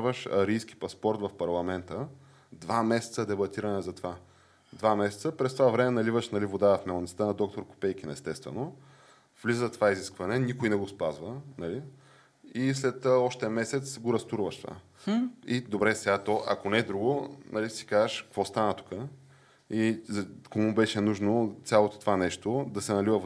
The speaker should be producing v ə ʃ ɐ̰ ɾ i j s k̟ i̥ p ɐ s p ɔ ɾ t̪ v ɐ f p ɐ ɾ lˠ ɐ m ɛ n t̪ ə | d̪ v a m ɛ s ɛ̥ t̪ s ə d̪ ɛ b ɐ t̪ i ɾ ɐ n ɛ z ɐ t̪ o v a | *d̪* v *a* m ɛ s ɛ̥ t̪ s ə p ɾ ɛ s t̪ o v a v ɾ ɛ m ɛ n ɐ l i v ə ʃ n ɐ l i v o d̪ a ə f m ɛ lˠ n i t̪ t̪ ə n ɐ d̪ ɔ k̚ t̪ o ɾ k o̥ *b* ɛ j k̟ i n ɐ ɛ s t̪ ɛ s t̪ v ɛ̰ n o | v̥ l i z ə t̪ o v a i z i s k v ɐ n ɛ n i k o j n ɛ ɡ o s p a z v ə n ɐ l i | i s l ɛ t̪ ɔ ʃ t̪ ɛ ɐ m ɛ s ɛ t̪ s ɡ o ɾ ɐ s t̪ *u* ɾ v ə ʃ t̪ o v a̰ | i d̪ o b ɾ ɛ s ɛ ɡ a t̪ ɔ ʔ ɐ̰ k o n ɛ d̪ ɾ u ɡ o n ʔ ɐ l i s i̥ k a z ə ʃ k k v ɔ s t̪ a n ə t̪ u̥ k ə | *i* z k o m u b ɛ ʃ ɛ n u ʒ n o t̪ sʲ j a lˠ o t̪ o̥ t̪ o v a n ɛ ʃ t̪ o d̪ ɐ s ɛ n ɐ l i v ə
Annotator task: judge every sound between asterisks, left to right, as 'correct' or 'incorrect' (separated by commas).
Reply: correct, correct, incorrect, correct, correct